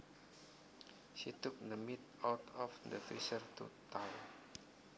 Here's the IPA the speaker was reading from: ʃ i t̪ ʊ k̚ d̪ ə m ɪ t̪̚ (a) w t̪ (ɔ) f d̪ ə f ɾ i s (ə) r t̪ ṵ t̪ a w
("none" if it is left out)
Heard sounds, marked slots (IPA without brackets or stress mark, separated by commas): a, ɔ, ə